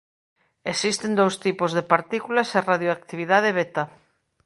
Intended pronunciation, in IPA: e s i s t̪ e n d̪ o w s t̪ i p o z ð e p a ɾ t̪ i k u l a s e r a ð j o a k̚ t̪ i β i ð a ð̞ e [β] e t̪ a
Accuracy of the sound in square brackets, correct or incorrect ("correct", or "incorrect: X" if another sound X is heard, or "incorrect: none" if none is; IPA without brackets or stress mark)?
correct